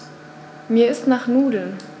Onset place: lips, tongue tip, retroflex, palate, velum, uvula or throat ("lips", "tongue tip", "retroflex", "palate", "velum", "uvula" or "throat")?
lips